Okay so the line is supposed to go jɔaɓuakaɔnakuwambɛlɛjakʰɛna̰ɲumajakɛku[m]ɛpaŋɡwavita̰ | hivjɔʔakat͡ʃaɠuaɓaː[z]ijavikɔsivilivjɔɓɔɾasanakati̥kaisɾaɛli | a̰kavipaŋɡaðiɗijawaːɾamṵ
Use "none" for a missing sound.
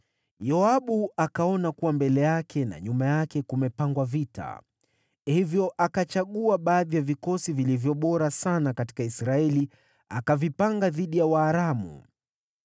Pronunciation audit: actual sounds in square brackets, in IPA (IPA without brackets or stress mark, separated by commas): m, ð